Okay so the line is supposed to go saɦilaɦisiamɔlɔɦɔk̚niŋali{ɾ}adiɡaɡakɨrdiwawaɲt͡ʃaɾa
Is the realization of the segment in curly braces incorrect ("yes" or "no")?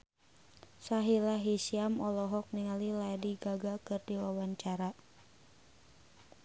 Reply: yes